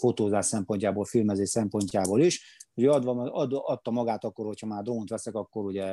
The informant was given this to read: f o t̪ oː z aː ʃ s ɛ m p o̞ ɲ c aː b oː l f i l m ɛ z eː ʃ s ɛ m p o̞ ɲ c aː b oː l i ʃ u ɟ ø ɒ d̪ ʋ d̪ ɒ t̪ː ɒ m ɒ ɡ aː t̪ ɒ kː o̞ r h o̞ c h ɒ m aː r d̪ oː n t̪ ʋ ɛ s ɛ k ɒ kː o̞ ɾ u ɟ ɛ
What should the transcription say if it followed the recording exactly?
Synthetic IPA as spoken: f o t̪ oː z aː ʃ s ɛ m p o̞ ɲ c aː b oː l f i l m ɛ z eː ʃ s ɛ m p o̞ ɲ c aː b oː l i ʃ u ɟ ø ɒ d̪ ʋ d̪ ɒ t̪ː ɒ m ɒ ɡ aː t̪ ɒ kː o̞ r h o̞ c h ɒ m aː r d̪ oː n t̪ ʋ ɛ s ɛ k ɒ kː o̞ ɾ u ɟ ɛ